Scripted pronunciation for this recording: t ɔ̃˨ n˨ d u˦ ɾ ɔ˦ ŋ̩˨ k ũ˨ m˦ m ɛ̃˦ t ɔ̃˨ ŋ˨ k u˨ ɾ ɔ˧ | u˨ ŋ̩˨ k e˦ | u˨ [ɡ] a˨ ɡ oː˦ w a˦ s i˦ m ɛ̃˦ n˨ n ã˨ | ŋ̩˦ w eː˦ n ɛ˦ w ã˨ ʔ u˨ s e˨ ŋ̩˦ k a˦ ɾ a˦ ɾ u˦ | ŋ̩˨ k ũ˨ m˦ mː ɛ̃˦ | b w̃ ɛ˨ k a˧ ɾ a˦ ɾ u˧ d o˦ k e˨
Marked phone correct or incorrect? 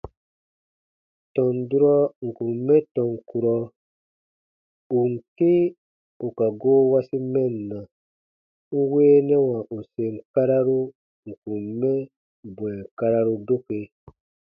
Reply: incorrect